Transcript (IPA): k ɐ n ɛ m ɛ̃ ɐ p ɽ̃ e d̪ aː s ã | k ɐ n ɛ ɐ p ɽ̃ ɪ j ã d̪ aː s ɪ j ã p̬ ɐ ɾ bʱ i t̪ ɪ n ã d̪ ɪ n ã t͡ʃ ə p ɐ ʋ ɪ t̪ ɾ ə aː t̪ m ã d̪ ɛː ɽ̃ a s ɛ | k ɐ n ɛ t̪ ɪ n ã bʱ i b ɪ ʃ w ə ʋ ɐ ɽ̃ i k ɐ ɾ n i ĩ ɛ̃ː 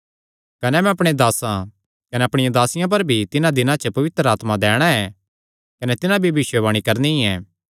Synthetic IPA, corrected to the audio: k ɐ n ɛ m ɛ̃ ɐ p ɽ̃ e d̪ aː s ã | k ɐ n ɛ ɐ p ɽ̃ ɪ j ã d̪ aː s ɪ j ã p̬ ɐ ɾ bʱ i t̪ ɪ n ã d̪ ɪ n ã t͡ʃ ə p ɐ ʋ ɪ t̪ ɾ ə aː t̪ m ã d̪ ɛː ɽ̃ a ɛ | k ɐ n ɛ t̪ ɪ n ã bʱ i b ɪ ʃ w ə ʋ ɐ ɽ̃ i k ɐ ɾ n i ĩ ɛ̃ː